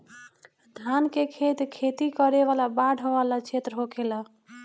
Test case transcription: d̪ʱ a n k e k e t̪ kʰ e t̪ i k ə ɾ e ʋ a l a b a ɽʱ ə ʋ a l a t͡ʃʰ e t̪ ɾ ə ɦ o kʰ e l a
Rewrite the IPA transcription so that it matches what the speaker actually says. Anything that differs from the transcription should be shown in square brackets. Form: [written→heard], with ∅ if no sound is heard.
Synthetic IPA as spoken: d̪ʱ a n k e [k→kʰ] e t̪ kʰ e t̪ i k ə ɾ e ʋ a l a b a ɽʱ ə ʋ a l a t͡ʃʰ e t̪ ɾ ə ɦ o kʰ e l a